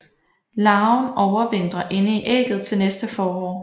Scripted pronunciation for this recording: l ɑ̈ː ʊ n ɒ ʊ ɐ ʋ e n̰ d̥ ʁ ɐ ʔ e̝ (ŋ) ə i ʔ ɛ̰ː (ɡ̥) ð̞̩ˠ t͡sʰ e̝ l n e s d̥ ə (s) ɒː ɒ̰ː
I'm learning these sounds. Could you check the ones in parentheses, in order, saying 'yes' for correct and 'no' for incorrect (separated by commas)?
no, yes, no